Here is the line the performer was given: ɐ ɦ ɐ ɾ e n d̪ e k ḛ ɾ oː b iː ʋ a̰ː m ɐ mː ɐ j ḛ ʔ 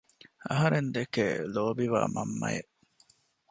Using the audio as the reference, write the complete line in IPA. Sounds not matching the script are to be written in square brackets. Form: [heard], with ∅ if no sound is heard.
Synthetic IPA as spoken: ɐ ɦ ɐ ɾ e n d̪ e k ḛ [l] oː b [i] ʋ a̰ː m ɐ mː ɐ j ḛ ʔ